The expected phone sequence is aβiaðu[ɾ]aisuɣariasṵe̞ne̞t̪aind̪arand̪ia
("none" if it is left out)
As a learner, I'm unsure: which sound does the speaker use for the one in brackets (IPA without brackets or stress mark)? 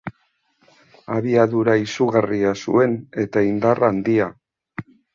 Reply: ɾ